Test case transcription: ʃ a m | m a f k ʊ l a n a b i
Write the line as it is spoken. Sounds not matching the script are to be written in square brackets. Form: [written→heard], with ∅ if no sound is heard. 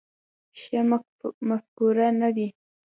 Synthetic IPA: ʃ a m | m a f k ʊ [l→ɾ] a n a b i